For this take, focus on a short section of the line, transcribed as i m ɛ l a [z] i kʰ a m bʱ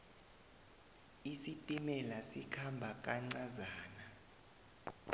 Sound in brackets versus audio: incorrect: s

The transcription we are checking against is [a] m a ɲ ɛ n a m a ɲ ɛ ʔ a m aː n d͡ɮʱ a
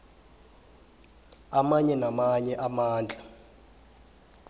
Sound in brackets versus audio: correct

